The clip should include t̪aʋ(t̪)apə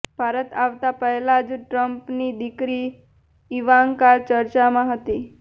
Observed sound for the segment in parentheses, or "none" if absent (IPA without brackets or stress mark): t̪